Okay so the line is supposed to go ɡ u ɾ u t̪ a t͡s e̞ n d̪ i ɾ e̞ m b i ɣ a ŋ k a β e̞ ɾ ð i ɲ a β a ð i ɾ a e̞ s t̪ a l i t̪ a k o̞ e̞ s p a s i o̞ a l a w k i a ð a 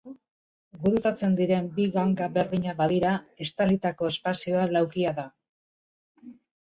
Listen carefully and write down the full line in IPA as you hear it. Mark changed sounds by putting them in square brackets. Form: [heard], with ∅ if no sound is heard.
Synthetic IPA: ɡ u ɾ u t̪ a t͡s e̞ n d̪ i ɾ e̞ m b i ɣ a ŋ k a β e̞ ɾ ð i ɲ a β a ð i ɾ a e̞ s t̪ a l i t̪ a k o̞ e̞ s p a s i o̞ a l a w k i a ð a